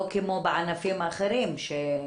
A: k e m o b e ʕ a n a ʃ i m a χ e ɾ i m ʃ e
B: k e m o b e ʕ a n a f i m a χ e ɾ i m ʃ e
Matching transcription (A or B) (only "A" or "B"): B